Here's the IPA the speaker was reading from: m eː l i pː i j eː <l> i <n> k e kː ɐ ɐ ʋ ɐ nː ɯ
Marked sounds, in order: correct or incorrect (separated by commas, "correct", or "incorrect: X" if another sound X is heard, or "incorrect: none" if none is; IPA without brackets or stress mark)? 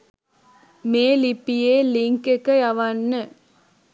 correct, incorrect: ŋ